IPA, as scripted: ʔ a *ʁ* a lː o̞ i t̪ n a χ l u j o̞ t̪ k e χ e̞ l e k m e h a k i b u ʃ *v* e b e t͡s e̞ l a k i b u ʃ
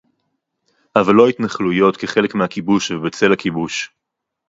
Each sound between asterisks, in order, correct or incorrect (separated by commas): incorrect, correct